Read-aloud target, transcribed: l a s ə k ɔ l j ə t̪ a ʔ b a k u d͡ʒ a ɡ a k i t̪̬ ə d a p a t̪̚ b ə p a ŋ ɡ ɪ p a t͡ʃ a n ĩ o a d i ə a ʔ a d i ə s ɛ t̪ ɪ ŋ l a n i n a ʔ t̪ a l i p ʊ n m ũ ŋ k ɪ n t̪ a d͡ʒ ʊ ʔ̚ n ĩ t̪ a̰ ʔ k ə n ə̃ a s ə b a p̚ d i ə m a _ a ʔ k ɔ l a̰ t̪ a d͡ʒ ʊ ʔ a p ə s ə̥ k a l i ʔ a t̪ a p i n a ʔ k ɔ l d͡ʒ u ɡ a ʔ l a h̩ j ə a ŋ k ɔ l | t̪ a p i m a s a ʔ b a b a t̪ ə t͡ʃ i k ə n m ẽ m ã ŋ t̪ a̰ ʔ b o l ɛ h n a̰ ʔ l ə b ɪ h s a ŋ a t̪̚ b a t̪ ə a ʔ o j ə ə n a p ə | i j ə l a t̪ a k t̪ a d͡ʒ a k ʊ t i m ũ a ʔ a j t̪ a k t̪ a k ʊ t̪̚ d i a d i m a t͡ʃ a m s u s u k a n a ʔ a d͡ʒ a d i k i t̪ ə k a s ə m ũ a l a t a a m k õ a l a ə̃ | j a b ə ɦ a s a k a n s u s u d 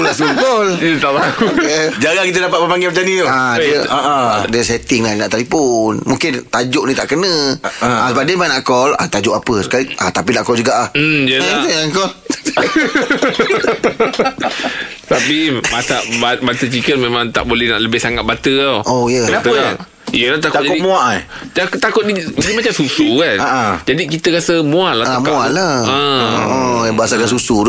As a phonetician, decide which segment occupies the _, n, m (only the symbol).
n